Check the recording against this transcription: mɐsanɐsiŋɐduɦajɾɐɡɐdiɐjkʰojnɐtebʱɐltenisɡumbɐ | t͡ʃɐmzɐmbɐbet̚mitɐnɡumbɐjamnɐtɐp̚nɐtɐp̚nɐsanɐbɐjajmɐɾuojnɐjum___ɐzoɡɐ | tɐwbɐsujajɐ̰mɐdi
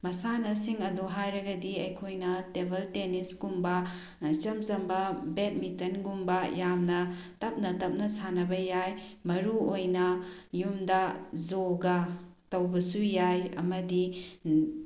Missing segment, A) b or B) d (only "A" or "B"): B